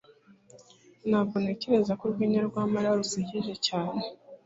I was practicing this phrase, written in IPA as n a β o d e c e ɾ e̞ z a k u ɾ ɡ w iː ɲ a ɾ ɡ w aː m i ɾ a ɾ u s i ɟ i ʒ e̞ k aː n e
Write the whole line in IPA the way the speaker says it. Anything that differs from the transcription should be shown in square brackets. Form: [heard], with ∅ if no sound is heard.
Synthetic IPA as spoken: n a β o [n] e c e ɾ e̞ z a k u ɾ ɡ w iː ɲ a ɾ ɡ w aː m [a] ɾ a ɾ u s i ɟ i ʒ e̞ [c] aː n e